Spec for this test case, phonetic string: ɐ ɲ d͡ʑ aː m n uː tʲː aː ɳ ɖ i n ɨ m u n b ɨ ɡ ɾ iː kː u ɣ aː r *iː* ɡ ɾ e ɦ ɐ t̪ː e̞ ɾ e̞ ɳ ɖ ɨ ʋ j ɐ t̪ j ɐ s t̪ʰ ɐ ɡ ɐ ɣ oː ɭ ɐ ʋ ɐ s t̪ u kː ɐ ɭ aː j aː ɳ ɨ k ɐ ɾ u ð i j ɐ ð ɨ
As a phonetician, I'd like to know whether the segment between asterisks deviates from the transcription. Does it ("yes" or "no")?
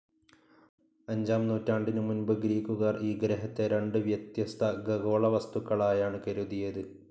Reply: no